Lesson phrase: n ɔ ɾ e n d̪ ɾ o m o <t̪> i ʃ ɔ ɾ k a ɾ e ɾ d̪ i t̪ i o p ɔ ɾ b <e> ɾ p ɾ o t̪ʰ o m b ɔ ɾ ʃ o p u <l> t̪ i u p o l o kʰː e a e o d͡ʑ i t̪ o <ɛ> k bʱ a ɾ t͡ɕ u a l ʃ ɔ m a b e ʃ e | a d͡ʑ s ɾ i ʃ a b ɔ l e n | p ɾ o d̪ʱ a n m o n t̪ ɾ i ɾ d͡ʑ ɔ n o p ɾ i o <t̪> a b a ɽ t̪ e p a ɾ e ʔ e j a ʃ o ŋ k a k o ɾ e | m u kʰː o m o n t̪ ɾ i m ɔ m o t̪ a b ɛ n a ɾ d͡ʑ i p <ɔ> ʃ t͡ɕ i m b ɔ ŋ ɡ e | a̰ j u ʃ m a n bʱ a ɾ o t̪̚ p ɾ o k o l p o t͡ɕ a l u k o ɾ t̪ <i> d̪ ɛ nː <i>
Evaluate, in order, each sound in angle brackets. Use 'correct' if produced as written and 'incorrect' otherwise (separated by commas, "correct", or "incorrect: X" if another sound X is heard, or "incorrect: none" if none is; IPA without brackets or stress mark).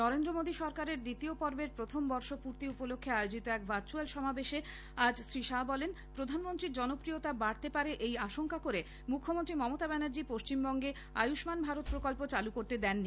incorrect: d̪, correct, incorrect: ɾ, correct, correct, incorrect: o, incorrect: e, correct